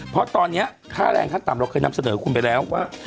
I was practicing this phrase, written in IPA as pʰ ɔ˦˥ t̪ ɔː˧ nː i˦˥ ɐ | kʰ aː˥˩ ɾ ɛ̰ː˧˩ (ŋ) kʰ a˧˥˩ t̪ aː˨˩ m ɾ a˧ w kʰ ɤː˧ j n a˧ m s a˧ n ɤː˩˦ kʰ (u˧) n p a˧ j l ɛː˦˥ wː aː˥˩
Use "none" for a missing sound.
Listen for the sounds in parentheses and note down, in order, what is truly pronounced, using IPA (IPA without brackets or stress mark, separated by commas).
ŋ, u˧